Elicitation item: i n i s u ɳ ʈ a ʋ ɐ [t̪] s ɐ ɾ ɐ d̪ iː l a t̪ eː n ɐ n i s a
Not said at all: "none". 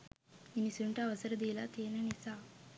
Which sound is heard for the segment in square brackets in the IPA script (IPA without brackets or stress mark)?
none